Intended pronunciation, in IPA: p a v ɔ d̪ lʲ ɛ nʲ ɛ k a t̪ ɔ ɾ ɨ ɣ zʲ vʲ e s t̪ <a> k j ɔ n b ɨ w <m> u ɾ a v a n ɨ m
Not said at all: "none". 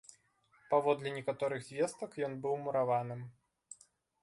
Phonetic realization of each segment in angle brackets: ɐ, m

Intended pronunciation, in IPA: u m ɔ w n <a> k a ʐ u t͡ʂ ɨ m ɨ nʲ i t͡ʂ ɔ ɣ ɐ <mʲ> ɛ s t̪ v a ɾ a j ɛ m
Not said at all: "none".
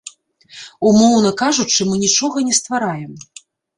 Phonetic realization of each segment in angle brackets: ɐ, nʲ

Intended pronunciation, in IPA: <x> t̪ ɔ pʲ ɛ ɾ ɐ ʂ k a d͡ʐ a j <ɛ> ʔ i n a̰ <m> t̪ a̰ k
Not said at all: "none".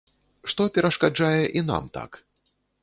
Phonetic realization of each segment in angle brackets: ʂ, ɛ, m

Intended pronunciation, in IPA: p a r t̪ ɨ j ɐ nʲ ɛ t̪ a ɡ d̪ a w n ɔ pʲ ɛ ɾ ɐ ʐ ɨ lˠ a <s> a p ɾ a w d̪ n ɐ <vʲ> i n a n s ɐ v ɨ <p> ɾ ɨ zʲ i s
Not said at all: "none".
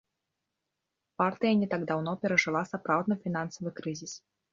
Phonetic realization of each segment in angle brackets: s, fʲ, k

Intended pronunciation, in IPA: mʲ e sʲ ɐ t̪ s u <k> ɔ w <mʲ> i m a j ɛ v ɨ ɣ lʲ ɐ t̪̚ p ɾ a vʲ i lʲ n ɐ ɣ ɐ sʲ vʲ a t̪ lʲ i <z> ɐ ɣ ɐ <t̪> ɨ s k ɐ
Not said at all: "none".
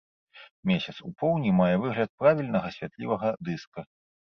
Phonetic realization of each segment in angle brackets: p, nʲ, v, d̪

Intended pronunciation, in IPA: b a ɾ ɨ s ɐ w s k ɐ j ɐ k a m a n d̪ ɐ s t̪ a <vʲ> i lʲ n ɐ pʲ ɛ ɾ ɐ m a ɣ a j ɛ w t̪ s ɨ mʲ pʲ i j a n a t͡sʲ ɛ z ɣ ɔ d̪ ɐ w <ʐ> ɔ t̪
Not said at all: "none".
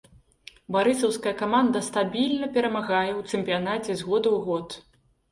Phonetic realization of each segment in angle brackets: bʲ, ɣ

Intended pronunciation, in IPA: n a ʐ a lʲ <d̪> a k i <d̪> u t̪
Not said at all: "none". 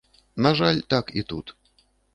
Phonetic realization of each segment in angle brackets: t̪, t̪

